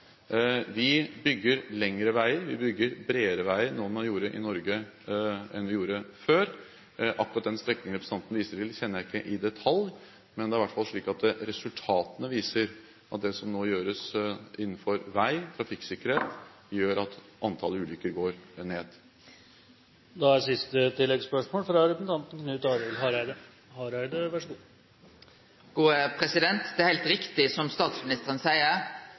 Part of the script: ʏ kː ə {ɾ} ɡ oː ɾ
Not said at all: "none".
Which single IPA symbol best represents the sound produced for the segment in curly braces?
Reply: ɾ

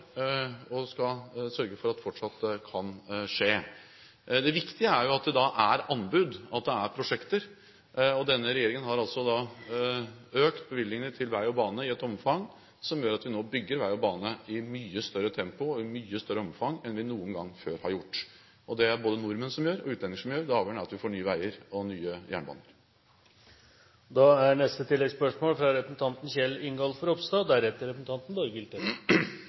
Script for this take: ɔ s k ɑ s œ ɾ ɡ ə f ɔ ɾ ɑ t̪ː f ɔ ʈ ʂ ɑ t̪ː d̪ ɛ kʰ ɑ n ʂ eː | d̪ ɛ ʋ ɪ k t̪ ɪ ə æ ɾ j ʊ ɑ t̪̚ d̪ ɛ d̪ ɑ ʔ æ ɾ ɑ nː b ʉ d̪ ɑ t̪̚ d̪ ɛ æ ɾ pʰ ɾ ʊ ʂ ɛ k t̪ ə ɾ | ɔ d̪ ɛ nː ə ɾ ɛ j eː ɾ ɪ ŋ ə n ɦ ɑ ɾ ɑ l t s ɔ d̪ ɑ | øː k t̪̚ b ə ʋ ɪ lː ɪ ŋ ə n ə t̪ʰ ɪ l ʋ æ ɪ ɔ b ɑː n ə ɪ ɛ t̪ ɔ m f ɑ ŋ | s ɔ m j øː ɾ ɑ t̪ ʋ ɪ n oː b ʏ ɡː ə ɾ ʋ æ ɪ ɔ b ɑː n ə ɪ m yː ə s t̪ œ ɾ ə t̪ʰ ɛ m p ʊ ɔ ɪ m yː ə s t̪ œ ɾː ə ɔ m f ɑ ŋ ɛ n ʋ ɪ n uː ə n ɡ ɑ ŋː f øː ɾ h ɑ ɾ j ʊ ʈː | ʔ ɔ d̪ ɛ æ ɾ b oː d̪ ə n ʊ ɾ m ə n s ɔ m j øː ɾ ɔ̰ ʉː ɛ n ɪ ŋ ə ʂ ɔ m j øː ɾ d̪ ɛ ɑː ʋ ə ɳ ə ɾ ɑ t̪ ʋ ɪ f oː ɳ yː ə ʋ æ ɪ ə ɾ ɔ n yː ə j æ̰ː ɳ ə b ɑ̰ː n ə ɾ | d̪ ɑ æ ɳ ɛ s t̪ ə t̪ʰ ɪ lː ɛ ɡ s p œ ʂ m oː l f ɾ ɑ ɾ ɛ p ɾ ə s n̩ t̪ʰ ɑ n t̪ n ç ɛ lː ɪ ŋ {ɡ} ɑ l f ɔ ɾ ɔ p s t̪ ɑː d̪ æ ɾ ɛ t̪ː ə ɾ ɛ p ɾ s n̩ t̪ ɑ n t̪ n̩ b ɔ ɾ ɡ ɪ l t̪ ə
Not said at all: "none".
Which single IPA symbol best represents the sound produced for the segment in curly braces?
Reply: ɡ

